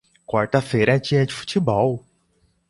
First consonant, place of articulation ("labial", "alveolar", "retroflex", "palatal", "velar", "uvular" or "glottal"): velar